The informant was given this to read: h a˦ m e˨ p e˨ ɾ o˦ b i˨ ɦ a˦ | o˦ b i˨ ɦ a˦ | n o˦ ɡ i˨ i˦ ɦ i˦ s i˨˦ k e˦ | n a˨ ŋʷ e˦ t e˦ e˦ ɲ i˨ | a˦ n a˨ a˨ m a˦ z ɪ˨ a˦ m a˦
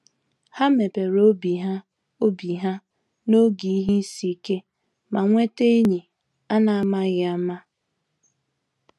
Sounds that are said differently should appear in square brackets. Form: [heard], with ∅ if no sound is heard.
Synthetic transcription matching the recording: h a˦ m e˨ p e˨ ɾ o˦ b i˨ ɦ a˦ | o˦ b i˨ ɦ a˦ | n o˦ ɡ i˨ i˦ ɦ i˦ s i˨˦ k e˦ | [m] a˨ ŋʷ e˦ t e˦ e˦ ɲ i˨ | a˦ n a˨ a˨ m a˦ [ɣ] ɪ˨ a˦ m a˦